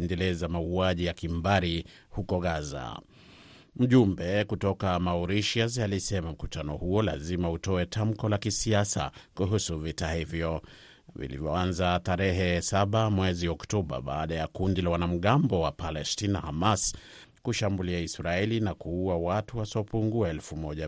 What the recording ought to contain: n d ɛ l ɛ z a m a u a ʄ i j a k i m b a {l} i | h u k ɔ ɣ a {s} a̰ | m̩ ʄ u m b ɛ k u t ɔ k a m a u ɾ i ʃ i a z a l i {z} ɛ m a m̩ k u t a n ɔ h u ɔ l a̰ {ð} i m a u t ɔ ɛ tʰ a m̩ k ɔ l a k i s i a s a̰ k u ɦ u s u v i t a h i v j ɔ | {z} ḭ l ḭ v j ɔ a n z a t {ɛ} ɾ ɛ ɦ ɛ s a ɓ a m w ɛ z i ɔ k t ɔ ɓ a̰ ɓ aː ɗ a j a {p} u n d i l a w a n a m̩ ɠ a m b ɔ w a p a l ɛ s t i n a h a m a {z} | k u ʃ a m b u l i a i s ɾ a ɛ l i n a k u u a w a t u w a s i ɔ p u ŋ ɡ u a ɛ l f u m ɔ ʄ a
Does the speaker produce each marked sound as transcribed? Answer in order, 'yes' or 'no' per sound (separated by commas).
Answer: no, no, no, no, no, no, no, no